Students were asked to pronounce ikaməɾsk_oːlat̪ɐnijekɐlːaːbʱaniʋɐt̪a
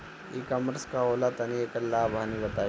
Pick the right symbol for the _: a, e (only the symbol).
a